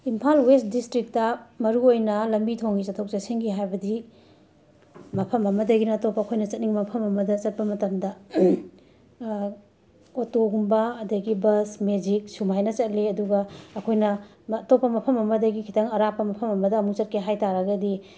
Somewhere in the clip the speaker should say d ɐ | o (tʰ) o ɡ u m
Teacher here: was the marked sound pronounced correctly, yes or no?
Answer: no